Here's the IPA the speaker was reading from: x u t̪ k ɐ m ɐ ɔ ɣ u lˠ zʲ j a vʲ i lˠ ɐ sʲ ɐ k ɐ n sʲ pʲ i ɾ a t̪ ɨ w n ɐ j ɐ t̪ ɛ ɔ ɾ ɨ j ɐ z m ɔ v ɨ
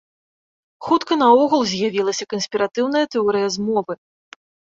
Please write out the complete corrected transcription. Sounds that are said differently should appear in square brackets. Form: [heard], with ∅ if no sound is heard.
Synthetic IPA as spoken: x u t̪ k ɐ [n] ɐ ɔ ɣ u lˠ zʲ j a vʲ i lˠ ɐ sʲ ɐ k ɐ n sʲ pʲ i ɾ a t̪ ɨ w n ɐ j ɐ t̪ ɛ ɔ ɾ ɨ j ɐ z m ɔ v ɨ